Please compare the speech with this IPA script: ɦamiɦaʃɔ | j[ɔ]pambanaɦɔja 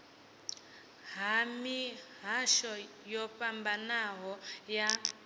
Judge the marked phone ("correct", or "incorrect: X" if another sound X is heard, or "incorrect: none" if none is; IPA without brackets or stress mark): correct